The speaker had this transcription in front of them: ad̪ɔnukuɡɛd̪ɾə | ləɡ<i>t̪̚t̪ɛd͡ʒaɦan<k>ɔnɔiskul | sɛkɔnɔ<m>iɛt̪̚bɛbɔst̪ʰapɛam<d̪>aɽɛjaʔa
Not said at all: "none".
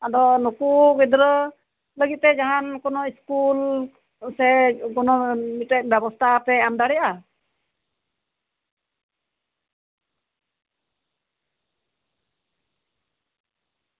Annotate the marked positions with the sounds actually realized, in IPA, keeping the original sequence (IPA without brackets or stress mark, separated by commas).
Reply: i, k, m, d̪